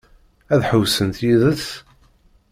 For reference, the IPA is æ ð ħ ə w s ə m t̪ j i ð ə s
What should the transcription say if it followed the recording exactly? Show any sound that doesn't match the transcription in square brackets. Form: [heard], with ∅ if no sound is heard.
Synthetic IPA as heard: æ ð ħ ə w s ə [n] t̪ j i ð ə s